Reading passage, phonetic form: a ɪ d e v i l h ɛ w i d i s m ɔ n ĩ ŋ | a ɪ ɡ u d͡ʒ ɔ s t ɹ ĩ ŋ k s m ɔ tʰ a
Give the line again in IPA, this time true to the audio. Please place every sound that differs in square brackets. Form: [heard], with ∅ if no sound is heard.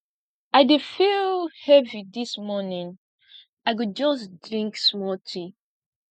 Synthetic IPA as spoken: a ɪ d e [f] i l h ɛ [v] i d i s m ɔ n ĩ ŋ | a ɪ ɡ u d͡ʒ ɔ s [d] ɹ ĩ ŋ k s m ɔ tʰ [i]

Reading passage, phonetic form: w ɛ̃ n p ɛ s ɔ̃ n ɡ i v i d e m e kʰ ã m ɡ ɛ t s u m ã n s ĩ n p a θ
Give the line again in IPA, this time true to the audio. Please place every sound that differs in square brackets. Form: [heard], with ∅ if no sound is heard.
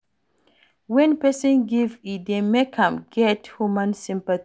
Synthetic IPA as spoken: w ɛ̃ n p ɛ s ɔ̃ n ɡ i v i d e m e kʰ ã m ɡ ɛ t [h] u m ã n s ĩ [m] p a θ

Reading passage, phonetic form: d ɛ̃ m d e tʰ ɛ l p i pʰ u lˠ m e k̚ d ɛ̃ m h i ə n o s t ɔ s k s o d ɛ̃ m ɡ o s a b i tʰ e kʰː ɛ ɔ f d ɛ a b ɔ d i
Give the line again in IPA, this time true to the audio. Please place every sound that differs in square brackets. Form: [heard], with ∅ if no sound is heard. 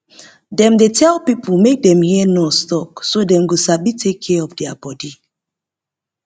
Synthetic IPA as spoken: d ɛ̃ m d e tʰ ɛ l p i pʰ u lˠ m e k̚ d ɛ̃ m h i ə n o s t ɔ [∅] k s o d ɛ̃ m ɡ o s a b i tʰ e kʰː ɛ ɔ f d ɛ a b ɔ d i

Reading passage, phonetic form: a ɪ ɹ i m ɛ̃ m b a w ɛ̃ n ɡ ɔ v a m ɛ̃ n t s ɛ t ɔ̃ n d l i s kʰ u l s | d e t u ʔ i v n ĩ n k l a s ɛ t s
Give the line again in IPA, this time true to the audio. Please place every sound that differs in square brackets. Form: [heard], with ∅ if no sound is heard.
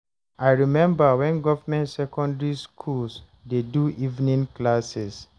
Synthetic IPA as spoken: a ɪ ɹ i m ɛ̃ m b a w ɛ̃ n ɡ ɔ v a m ɛ̃ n t s ɛ [k] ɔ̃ n d [ɹ] i s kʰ u l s | d e [d] u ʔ i v n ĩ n k l a s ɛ [∅] s

